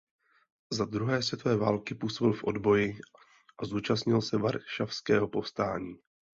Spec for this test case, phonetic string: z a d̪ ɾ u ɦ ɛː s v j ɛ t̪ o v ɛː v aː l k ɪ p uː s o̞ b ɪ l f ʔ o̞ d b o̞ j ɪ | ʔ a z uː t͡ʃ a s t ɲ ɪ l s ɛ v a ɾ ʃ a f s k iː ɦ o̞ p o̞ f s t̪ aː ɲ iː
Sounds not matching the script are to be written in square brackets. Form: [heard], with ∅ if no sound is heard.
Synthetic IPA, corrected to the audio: z a d̪ ɾ u ɦ ɛː s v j ɛ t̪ o v ɛː v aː l k ɪ p uː s o̞ b ɪ l f ʔ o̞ d b o̞ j ɪ | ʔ a z uː t͡ʃ a s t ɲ ɪ l s ɛ v a ɾ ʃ a f s k [ɛː] ɦ o̞ p o̞ f s t̪ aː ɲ iː